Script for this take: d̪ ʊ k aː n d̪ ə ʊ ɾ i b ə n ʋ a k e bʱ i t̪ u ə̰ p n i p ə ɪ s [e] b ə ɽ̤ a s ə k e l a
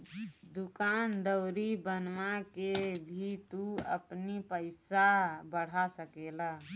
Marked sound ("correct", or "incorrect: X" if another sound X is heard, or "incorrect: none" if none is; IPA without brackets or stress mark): incorrect: a